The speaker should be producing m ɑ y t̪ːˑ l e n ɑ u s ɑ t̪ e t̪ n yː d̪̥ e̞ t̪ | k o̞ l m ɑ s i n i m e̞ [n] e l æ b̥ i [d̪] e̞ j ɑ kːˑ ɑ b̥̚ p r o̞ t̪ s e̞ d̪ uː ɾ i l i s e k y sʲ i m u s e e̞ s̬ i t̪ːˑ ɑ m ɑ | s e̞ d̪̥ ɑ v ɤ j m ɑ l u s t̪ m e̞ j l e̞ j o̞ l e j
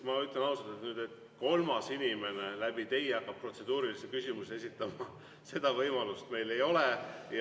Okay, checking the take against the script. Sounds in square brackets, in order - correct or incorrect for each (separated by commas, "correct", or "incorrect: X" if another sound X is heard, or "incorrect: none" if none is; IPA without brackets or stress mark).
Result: correct, incorrect: t̪